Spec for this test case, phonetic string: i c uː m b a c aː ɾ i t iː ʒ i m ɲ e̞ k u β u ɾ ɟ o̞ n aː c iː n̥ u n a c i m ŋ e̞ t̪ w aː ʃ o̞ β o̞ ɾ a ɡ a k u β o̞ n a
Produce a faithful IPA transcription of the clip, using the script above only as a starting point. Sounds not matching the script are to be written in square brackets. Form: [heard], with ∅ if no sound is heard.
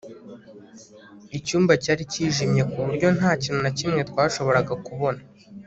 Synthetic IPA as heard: i c uː m b a c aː ɾ i [c] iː ʒ i m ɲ e̞ k u β u ɾ ɟ o̞ n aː c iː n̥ u n a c i m ŋ e̞ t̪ w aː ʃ o̞ β o̞ ɾ a ɡ a k u β o̞ n a